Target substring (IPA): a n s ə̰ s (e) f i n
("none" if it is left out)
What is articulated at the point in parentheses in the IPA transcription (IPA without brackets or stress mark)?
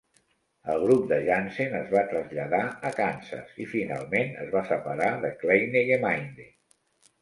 i